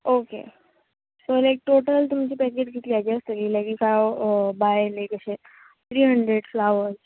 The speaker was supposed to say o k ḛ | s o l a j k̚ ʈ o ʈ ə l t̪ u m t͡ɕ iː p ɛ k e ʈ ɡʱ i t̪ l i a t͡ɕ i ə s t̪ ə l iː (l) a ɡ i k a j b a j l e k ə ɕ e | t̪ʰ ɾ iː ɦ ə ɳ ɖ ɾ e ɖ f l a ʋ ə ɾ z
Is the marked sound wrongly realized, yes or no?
no